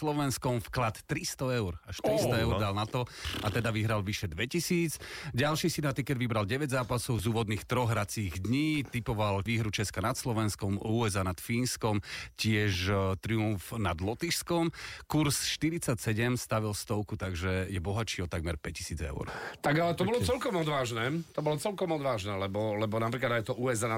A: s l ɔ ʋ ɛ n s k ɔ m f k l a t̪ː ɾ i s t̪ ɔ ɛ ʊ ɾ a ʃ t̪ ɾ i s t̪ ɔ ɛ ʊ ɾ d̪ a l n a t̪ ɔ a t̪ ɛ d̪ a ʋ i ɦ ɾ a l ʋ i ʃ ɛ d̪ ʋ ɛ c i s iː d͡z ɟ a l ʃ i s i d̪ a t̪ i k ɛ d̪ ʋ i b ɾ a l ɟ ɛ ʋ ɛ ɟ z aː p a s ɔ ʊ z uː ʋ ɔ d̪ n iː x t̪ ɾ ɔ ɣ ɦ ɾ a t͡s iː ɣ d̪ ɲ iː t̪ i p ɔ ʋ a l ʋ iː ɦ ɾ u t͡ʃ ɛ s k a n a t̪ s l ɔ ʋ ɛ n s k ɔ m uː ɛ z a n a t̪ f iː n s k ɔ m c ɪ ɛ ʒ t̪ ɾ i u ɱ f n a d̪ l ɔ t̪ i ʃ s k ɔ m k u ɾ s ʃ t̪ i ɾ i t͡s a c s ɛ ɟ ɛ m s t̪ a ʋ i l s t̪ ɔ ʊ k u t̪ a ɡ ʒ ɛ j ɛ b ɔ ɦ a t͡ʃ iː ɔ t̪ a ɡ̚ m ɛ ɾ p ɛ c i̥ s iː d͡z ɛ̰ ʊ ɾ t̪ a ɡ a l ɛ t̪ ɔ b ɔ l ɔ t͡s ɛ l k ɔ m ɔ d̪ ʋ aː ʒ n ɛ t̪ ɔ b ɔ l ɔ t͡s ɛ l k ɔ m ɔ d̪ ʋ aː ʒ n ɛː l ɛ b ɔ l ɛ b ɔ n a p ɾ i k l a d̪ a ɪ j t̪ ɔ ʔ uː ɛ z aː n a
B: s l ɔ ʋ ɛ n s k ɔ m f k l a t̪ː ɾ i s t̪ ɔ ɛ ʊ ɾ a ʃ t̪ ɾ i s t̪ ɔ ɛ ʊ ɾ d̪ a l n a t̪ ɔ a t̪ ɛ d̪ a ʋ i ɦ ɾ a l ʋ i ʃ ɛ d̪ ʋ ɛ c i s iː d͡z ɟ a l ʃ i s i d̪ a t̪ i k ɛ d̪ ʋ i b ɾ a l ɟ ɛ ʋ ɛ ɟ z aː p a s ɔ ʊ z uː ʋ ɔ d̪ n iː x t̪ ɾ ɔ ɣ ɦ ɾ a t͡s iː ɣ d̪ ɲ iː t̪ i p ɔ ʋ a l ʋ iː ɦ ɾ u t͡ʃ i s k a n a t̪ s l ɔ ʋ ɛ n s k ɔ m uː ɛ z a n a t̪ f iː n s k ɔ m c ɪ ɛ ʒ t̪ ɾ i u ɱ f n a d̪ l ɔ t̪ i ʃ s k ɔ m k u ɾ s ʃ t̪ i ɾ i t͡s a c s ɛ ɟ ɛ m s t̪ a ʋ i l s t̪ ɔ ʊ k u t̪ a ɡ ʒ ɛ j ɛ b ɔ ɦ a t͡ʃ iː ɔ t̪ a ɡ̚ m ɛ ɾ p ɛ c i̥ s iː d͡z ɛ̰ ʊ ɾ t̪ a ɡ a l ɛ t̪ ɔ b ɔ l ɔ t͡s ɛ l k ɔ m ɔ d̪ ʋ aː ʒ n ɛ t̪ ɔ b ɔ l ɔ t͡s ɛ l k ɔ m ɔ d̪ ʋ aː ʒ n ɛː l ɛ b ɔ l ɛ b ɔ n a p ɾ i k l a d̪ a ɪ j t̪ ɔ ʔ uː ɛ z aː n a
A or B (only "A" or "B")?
A